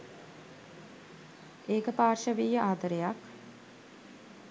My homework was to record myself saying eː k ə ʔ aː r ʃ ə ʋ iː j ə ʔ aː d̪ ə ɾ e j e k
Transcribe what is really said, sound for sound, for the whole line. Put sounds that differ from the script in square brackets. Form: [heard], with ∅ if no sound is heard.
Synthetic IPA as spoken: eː k ə [p] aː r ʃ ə ʋ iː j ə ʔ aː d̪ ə ɾ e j [a] k